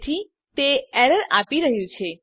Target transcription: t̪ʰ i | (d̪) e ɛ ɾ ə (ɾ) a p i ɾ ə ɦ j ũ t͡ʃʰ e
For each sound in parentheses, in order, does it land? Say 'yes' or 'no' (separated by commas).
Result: no, yes